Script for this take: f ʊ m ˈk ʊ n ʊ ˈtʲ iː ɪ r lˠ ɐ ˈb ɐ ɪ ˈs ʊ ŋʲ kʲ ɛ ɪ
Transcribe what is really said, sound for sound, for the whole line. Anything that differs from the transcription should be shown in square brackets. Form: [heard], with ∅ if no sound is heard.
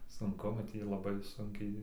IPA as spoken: [s] ʊ [ŋ] ˈk ʊ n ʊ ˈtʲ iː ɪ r lˠ ɐ ˈb ɐ ɪ ˈs ʊ ŋʲ kʲ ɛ ɪ